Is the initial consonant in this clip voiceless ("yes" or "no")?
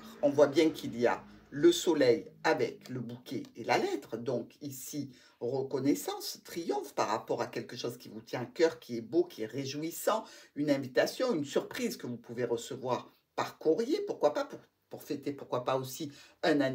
no